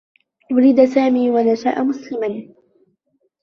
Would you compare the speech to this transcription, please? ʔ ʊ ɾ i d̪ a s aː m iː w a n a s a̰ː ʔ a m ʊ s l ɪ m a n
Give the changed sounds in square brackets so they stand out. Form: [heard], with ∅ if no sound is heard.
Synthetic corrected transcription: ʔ ʊ ɾ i d̪ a s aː m iː w a n a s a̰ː ʔ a m ʊ s l ɪ m a n